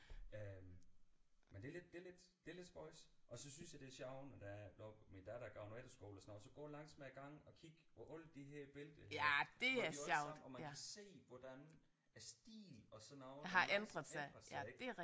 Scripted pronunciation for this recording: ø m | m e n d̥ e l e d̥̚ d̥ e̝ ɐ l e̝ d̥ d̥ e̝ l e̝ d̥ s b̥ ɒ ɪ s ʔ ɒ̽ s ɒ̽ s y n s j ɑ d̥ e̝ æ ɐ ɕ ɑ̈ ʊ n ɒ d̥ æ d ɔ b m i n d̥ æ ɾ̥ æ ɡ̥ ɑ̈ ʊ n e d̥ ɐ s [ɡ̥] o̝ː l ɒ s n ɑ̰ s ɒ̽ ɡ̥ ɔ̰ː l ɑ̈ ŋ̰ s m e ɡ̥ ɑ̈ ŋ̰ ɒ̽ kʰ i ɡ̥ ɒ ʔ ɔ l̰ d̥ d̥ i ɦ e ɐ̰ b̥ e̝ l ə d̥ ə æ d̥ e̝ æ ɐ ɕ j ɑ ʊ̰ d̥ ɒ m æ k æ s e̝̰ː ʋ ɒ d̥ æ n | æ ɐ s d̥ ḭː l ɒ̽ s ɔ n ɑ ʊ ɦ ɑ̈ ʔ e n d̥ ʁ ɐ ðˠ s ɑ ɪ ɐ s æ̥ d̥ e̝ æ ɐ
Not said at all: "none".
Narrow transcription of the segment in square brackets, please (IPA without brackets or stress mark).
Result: ɡ̥